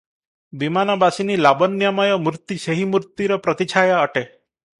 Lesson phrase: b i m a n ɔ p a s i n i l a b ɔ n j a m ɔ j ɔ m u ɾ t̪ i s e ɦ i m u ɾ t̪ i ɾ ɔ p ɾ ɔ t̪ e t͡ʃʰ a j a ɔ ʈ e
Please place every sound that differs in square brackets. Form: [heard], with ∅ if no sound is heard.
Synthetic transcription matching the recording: b i m a n ɔ [b] a s i n i l a b ɔ n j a m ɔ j ɔ m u ɾ t̪ i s e ɦ i m u ɾ t̪ i ɾ ɔ p ɾ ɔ t̪ [i] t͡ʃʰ a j a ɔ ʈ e